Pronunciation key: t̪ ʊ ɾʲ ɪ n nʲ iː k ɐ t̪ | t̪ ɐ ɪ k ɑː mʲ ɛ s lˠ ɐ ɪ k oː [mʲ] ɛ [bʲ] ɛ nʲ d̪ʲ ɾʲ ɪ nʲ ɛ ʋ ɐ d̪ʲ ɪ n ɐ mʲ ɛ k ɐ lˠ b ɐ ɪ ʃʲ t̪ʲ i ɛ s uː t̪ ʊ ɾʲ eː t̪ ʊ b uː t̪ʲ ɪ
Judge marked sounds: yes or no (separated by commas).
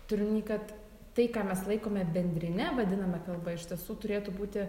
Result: yes, yes